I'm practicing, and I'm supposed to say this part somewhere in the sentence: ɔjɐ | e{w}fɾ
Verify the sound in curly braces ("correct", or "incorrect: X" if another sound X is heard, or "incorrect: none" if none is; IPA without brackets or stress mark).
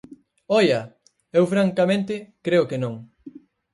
correct